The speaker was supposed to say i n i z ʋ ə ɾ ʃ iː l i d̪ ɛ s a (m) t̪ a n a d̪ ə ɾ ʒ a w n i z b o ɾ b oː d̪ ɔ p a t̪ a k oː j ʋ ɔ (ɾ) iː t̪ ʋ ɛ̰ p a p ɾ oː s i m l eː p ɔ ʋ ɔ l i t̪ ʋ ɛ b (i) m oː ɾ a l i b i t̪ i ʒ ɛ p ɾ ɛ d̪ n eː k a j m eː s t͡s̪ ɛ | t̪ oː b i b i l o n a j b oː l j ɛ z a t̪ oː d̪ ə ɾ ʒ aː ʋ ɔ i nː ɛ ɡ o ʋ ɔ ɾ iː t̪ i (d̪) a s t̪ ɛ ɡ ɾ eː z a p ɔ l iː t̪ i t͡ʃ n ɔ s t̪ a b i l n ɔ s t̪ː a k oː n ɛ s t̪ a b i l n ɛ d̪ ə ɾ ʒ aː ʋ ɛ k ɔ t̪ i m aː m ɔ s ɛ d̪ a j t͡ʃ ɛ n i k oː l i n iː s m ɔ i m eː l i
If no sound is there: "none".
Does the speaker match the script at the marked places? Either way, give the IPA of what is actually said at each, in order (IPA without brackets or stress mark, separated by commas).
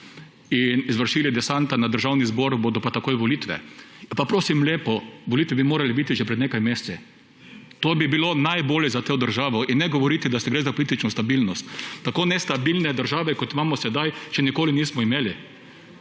n, l, i, d̪